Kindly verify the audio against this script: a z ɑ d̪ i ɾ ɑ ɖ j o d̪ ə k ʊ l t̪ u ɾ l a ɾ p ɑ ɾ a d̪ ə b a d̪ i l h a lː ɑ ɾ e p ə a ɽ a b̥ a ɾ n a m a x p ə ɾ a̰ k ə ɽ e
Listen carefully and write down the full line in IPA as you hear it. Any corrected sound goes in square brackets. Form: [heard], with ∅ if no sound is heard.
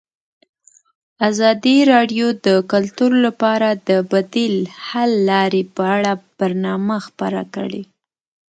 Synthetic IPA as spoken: a z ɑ d̪ i ɾ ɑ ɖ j o d̪ ə k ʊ l t̪ u ɾ l a [∅] p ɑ ɾ a d̪ ə b a d̪ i l h a lː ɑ ɾ e p ə a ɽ a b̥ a ɾ n [ɑ] m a x p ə ɾ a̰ k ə ɽ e